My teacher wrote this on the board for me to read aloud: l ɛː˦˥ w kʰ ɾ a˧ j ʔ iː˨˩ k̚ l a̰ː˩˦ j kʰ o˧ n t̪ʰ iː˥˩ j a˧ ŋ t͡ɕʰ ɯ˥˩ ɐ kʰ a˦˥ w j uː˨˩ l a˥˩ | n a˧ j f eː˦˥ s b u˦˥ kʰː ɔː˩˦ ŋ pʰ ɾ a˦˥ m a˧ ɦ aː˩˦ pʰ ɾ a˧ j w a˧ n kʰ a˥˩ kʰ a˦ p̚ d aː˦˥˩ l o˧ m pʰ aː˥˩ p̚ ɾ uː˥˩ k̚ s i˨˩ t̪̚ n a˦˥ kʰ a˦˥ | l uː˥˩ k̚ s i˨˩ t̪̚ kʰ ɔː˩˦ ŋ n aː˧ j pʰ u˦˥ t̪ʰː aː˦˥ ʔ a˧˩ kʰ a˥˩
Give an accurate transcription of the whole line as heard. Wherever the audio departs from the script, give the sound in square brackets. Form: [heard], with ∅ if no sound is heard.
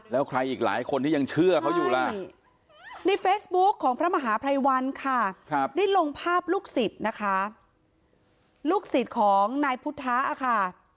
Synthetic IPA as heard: l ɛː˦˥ w kʰ ɾ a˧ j ʔ iː˨˩ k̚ l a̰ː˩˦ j kʰ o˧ n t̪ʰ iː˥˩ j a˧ ŋ t͡ɕʰ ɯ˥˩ ɐ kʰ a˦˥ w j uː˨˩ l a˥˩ | n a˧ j f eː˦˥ s b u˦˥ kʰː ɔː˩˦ ŋ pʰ ɾ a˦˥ m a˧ ɦ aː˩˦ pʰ ɾ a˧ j w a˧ n kʰ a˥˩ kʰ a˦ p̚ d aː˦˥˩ l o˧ [ŋ] pʰ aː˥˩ p̚ [l] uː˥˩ k̚ s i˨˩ t̪̚ n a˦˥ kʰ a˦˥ | l uː˥˩ k̚ s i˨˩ t̪̚ kʰ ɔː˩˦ ŋ n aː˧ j pʰ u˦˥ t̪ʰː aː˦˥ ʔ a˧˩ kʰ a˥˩